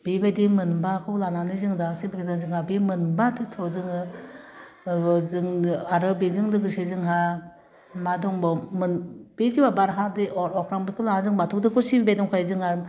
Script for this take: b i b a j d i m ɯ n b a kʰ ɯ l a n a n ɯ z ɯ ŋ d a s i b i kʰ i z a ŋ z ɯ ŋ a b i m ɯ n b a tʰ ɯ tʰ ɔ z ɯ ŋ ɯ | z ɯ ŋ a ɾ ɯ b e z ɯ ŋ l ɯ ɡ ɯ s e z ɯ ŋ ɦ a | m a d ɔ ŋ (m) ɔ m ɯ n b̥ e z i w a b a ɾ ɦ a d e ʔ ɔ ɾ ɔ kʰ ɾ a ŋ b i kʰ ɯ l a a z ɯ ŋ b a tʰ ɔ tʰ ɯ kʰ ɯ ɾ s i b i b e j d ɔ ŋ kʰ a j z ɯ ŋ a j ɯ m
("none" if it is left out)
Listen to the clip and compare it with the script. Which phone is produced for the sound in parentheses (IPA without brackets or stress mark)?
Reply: b